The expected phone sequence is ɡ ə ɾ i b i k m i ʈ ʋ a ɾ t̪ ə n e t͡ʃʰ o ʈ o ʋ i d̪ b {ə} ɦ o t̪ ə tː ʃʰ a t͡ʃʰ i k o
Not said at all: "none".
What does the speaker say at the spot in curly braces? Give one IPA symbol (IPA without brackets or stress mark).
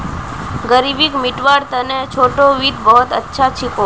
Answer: ə